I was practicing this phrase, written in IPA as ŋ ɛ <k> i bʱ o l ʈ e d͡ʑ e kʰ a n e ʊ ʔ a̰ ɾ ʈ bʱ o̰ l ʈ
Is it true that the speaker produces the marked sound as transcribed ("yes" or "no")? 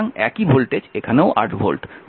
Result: yes